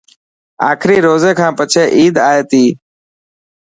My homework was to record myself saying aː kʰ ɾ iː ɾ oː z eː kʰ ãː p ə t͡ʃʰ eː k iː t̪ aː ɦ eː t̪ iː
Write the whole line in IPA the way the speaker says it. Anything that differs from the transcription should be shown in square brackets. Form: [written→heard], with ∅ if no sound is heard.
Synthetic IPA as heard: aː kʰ ɾ iː ɾ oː z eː kʰ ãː p ə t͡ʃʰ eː [k→ʔ] iː [t̪→d̪] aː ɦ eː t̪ iː